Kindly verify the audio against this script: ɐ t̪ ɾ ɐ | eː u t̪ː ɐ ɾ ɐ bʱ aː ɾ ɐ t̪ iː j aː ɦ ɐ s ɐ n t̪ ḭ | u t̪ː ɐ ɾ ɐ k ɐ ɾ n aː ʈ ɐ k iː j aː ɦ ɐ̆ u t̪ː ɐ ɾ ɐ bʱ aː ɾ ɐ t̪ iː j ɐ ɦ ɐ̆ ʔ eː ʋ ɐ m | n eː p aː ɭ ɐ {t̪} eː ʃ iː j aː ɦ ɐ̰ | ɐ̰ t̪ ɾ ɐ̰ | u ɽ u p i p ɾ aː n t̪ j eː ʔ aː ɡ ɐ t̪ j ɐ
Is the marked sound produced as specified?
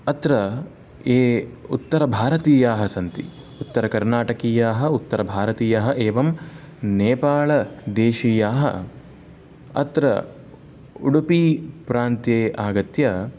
no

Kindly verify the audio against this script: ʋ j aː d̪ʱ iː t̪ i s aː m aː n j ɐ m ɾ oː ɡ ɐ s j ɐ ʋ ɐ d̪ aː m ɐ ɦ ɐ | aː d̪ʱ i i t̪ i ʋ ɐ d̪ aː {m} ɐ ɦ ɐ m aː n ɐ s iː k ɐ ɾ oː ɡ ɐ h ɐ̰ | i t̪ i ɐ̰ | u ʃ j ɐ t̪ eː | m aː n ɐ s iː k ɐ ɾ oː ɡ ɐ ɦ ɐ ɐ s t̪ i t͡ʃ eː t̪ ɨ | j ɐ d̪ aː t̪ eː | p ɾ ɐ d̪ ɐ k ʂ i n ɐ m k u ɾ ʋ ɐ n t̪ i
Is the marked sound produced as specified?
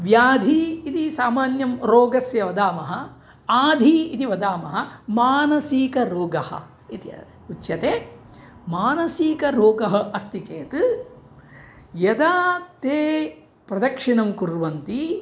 yes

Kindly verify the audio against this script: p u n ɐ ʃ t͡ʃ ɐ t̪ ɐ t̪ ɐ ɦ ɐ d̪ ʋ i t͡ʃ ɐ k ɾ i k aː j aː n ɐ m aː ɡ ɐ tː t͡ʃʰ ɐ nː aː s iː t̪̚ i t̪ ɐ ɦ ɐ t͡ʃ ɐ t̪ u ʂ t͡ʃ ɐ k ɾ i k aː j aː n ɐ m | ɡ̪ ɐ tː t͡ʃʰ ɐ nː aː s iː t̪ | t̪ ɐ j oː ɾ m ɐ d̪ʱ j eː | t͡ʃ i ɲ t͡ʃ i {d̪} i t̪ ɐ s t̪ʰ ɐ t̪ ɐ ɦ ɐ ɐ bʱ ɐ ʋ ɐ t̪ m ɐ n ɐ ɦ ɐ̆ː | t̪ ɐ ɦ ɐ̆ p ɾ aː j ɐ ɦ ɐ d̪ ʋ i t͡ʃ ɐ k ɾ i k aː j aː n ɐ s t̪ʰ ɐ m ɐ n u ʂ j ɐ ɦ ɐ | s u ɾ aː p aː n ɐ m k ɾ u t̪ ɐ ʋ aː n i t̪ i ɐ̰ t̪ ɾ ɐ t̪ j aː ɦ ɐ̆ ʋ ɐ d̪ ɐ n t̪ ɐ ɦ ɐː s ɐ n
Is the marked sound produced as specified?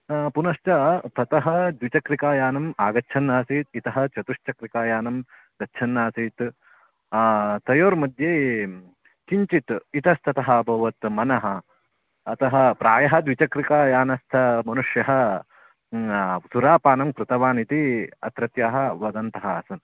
no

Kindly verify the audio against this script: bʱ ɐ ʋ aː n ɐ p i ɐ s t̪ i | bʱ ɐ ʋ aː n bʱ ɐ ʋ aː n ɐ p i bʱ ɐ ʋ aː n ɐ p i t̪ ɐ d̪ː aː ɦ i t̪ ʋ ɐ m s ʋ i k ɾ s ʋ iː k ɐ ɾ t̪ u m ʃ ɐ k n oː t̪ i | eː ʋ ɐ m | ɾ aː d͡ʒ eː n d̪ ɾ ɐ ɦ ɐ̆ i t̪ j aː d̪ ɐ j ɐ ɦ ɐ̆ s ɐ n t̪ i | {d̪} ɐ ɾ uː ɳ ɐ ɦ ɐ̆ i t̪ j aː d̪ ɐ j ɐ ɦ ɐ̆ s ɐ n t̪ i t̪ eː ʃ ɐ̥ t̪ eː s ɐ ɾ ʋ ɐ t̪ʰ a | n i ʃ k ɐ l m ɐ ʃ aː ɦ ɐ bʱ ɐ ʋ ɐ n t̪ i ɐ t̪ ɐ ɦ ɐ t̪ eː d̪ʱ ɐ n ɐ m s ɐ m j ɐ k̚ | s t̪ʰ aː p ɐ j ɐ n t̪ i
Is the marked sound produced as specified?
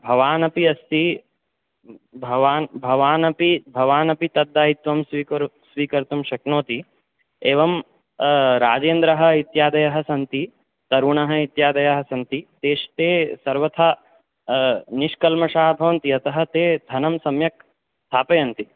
no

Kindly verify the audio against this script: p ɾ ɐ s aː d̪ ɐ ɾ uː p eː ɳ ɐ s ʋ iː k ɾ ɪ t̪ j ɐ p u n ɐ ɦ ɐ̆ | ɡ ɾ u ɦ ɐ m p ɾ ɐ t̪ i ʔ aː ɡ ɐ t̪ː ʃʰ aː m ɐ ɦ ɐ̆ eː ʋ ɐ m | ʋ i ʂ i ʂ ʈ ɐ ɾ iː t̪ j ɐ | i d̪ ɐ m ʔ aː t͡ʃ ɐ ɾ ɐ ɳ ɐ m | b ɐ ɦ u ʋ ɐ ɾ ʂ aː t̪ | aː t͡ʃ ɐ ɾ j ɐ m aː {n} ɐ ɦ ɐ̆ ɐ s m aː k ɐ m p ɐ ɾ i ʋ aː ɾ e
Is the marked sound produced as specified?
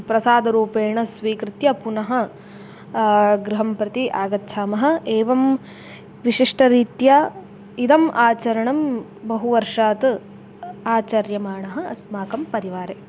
no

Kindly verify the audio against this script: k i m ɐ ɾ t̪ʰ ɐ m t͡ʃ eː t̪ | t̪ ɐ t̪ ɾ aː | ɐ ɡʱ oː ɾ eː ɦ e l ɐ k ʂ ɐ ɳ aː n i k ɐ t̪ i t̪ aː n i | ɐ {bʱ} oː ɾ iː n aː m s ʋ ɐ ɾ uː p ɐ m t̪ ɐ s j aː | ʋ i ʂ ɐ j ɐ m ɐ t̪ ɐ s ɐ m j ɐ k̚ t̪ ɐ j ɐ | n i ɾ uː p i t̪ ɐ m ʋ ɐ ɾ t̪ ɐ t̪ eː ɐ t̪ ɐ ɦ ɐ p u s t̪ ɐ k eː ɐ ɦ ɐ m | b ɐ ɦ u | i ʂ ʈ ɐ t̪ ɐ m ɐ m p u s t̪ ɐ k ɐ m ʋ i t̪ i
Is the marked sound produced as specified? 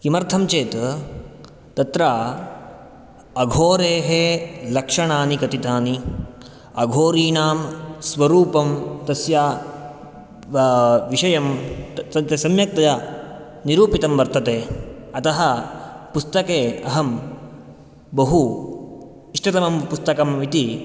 no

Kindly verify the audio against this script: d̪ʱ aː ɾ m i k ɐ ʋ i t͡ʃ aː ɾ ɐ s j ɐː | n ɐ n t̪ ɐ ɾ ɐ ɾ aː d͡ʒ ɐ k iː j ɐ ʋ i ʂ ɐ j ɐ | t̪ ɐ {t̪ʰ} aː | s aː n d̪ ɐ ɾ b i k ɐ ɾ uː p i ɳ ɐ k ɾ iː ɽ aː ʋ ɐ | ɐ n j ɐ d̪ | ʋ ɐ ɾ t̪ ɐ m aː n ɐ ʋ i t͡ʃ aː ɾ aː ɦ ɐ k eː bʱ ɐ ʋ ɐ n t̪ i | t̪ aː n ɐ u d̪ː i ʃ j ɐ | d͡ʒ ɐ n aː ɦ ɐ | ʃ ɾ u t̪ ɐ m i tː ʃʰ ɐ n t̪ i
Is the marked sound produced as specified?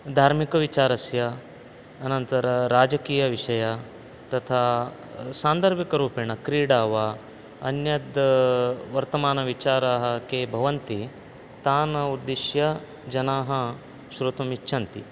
yes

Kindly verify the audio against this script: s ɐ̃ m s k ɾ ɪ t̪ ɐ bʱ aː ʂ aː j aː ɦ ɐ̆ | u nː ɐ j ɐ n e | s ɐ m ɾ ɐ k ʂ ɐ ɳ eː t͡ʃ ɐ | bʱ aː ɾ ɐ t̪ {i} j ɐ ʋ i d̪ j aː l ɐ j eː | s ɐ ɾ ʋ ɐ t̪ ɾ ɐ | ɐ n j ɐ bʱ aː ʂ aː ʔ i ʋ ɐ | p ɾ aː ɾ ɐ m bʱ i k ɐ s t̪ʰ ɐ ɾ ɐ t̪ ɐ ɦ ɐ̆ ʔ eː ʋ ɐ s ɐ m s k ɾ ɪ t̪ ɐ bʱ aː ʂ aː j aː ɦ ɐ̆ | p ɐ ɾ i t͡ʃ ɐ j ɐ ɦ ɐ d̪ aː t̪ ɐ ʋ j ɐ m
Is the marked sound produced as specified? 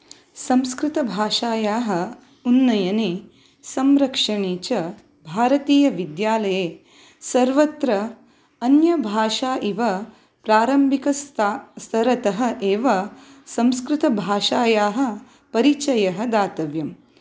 no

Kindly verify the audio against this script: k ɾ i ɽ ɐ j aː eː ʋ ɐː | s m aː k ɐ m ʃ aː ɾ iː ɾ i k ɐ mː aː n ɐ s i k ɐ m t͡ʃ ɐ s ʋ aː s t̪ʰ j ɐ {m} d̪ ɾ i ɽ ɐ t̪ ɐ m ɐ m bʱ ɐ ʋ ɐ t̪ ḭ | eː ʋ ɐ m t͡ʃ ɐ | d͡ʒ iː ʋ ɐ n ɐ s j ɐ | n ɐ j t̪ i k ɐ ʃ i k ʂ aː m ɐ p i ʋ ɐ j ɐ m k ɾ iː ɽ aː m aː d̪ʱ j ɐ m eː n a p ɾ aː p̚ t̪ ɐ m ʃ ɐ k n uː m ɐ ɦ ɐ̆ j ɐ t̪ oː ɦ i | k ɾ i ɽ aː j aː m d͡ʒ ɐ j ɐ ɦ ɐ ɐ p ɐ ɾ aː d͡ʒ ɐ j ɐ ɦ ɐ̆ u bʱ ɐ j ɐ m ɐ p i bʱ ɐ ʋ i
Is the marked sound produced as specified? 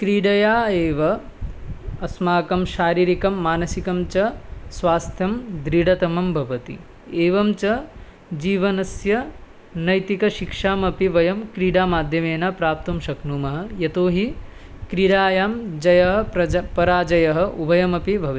yes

